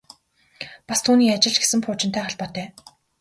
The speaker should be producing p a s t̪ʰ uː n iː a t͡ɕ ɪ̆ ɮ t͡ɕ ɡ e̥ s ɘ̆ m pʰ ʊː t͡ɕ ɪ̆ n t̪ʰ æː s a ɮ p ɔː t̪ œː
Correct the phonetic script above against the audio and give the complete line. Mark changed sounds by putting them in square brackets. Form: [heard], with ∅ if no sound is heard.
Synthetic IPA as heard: p a s t̪ʰ uː n iː a t͡ɕ ɪ̆ ɮ t͡ɕ ɡ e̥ s ɘ̆ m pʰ ʊː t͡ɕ ɪ̆ n t̪ʰ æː [χ] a ɮ p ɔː t̪ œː